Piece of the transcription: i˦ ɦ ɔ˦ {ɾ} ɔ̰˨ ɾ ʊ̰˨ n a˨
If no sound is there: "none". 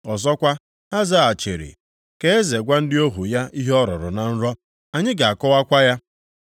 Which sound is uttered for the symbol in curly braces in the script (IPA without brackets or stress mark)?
ɾ